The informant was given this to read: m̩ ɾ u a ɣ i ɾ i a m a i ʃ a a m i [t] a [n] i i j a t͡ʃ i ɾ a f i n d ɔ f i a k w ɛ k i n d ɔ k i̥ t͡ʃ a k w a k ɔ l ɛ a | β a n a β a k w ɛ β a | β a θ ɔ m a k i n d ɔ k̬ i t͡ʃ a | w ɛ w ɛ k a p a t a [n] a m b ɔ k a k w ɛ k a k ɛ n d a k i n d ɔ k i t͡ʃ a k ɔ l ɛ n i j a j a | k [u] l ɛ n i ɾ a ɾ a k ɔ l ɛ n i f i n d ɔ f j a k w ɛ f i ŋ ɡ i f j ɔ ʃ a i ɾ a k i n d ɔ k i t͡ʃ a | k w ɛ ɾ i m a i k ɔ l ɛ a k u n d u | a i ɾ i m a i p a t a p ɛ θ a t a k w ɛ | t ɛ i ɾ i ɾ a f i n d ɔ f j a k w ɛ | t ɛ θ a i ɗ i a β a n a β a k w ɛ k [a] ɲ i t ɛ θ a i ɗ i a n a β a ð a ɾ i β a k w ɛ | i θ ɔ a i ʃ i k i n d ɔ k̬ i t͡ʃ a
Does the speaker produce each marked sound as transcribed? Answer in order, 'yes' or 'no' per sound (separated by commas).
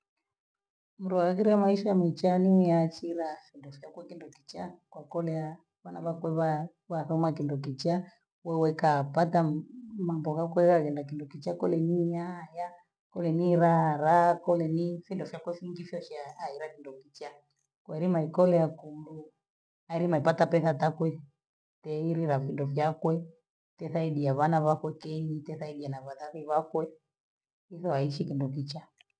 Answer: no, yes, no, no, no